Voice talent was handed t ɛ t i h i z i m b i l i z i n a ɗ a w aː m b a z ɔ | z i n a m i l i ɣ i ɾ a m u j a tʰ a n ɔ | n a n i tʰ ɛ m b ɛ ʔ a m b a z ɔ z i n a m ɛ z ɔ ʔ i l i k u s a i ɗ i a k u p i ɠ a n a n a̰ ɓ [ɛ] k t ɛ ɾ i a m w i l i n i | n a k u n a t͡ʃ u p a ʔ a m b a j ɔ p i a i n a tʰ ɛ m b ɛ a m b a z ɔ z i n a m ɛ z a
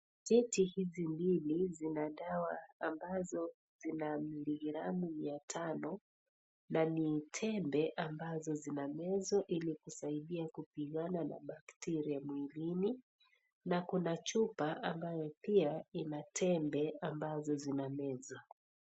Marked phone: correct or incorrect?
incorrect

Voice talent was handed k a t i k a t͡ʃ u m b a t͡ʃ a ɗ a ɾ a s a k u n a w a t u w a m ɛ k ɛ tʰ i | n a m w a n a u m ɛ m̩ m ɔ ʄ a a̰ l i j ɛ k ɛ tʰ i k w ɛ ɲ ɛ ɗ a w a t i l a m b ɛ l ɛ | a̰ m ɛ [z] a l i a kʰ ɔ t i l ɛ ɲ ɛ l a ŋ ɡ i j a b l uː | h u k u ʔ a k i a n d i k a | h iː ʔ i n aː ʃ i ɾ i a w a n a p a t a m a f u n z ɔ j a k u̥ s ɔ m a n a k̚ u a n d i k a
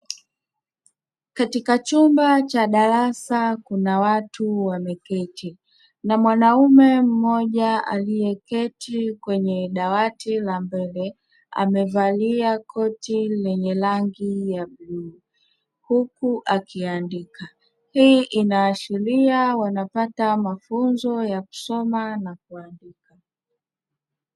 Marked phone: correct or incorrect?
incorrect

